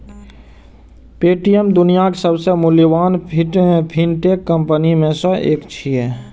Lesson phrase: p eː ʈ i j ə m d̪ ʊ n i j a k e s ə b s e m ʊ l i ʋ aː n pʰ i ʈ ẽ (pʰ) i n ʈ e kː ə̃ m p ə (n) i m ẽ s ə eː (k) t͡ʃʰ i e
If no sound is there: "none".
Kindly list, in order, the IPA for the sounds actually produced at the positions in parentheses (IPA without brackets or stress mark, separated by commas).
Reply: pʰ, n, k